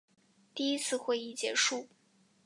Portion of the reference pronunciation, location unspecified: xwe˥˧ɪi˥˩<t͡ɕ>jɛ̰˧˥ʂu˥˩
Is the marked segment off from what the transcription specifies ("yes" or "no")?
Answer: no